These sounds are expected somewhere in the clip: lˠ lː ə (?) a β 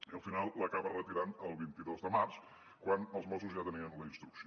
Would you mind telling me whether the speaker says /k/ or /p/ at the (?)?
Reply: k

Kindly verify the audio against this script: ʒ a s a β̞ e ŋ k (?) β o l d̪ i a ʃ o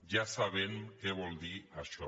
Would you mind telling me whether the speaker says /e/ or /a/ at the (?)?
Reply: e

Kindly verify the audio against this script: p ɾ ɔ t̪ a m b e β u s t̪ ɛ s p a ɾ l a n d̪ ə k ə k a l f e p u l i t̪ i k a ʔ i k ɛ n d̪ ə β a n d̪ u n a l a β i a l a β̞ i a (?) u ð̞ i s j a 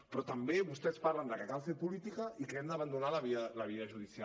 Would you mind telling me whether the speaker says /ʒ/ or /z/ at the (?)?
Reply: ʒ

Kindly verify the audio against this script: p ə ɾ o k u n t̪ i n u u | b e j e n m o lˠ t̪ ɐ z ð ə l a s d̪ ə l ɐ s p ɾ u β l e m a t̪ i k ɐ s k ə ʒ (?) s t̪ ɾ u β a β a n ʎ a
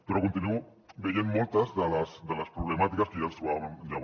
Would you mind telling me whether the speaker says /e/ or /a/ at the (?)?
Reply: a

